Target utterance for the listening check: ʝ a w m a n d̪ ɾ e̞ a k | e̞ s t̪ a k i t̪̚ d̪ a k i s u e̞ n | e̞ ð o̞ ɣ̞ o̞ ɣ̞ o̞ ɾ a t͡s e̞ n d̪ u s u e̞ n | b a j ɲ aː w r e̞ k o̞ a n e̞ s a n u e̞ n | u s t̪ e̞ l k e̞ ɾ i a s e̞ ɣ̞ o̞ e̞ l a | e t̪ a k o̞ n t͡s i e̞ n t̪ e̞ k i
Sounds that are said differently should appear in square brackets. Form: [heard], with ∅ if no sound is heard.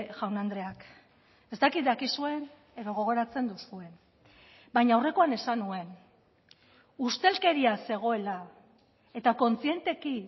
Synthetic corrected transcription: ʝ a w [n] a n d̪ ɾ e̞ a k | e̞ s t̪ a k i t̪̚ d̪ a k i s u e̞ n | e̞ ð o̞ ɣ̞ o̞ ɣ̞ o̞ ɾ a t͡s e̞ n d̪ u s u e̞ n | b a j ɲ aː w r e̞ k o̞ a n e̞ s a n u e̞ n | u s t̪ e̞ l k e̞ ɾ i a s e̞ ɣ̞ o̞ e̞ l a | e t̪ a k o̞ n t͡s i e̞ n t̪ e̞ k i